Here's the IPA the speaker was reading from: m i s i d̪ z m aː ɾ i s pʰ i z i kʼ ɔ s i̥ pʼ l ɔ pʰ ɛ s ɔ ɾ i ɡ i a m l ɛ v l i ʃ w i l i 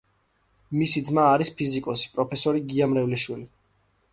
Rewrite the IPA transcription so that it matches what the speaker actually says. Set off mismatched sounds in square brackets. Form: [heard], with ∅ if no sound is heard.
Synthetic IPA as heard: m i s i d̪ z m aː ɾ i s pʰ i z i kʼ ɔ s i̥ pʼ [ɾ] ɔ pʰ ɛ s ɔ ɾ i ɡ i a m [ɾ] ɛ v l i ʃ w i l i